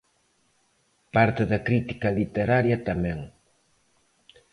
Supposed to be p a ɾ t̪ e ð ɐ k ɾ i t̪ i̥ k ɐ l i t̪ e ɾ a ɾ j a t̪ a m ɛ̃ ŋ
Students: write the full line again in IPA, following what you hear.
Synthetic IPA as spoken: p a ɾ t̪ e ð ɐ k ɾ i t̪ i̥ k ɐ l i t̪ e ɾ a ɾ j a t̪ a m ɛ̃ ŋ